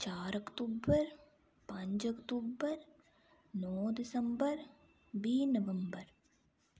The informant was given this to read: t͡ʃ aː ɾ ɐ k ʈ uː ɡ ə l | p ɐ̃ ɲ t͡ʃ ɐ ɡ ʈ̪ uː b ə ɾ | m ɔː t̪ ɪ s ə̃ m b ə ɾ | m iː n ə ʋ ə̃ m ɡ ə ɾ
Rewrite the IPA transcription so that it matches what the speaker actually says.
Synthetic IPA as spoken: t͡ʃ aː ɾ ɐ k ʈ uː b ə ɾ | p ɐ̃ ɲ t͡ʃ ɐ k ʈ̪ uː b ə ɾ | n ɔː d̪ ɪ s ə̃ m b ə ɾ | b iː n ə ʋ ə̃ m b ə ɾ

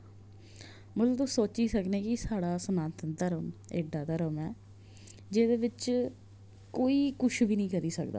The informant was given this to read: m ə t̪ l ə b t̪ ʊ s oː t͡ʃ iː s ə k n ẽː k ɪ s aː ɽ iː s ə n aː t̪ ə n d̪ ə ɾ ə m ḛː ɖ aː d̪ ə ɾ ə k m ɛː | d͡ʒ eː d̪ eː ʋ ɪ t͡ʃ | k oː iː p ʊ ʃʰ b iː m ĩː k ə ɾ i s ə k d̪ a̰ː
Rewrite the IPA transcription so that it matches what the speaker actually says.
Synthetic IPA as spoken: m ə t̪ l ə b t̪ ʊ s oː t͡ʃ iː s ə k n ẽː k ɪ s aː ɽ aː s ə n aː t̪ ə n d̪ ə ɾ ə m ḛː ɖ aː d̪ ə ɾ ə m ɛː | d͡ʒ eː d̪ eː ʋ ɪ t͡ʃ | k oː iː k ʊ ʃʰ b iː n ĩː k ə ɾ iː s ə k d̪ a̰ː

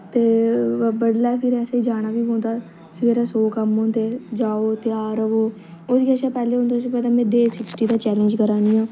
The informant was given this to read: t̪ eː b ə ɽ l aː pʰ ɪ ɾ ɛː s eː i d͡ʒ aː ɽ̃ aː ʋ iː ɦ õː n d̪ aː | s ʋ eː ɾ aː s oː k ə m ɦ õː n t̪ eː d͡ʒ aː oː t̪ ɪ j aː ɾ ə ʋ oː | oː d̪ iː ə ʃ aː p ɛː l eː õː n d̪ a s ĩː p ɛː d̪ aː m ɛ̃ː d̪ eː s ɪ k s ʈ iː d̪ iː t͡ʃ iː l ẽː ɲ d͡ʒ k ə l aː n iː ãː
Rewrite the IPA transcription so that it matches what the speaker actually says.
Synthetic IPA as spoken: t̪ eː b ə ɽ l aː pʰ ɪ ɾ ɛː s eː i d͡ʒ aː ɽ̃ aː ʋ iː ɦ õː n d̪ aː | s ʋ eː ɾ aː s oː k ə m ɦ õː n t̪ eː d͡ʒ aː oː t̪ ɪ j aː ɾ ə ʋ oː | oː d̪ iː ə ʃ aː p ɛː l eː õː n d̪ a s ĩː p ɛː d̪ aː m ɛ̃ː d̪ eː s ɪ k s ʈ iː d̪ aː t͡ʃ ɛː l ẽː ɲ d͡ʒ k ə ɾ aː n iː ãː

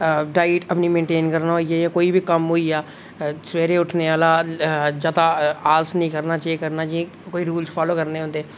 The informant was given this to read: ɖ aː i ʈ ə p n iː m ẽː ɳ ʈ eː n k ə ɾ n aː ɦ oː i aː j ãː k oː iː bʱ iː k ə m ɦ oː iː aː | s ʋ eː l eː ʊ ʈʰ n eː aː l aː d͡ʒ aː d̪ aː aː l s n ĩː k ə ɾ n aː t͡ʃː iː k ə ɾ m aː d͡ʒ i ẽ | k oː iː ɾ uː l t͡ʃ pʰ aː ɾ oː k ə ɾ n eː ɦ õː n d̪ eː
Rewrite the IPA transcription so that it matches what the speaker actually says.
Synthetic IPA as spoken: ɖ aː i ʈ ə p n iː m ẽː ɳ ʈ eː n k ə ɾ n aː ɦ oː i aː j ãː k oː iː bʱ iː k ə m ɦ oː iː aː | s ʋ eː ɾ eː ʊ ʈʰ n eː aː l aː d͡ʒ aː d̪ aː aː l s n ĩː k ə ɾ n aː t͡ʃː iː k ə ɾ n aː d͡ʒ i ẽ | k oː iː ɾ uː l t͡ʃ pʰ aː l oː k ə ɾ n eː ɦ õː n d̪ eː

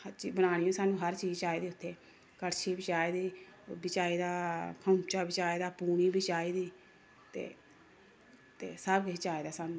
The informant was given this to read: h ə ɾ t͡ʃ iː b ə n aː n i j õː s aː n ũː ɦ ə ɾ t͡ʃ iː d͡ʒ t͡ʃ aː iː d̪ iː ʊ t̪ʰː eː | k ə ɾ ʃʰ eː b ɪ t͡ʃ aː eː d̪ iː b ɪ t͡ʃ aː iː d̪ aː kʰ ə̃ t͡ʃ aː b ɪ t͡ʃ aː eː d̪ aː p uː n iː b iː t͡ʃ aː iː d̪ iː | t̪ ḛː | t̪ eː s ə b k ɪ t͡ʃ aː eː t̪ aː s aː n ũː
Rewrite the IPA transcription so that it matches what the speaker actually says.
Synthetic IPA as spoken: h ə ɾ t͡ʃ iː b ə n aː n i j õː s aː n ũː ɦ ə ɾ t͡ʃ iː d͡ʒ t͡ʃ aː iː d̪ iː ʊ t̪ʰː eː | k ə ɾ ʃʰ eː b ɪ t͡ʃ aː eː d̪ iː b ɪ t͡ʃ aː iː d̪ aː kʰ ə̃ t͡ʃ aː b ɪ t͡ʃ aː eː d̪ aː p uː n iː b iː t͡ʃ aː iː d̪ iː | t̪ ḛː | t̪ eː s ə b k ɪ t͡ʃ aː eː d̪ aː s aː n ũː

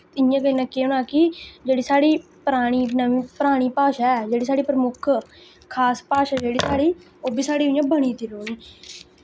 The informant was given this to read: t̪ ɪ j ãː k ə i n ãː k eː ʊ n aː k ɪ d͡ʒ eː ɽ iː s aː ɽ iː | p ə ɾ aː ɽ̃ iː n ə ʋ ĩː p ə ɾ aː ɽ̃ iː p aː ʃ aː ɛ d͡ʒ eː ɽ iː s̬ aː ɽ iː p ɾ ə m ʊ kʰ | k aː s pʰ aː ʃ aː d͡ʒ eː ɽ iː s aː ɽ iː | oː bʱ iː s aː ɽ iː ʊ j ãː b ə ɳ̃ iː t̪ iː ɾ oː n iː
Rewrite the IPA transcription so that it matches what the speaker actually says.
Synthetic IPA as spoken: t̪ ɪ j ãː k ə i n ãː k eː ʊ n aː k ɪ d͡ʒ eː ɽ iː s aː ɽ iː | p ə ɾ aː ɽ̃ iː n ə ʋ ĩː p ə ɾ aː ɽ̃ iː p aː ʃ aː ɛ d͡ʒ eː ɽ iː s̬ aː ɽ iː p ɾ ə m ʊ kʰ | kʰ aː s p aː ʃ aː d͡ʒ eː ɽ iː s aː ɽ iː | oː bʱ iː s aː ɽ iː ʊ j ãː b ə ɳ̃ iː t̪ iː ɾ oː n iː

